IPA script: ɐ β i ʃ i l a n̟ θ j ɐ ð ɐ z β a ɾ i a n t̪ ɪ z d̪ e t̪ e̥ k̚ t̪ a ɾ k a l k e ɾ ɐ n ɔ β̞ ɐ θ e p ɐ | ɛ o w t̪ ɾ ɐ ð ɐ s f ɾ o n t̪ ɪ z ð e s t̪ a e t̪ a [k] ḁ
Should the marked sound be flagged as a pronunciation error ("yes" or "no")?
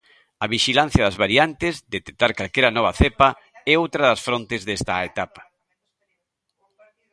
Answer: yes